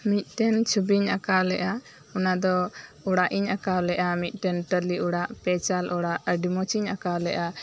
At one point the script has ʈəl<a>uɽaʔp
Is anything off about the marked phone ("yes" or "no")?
yes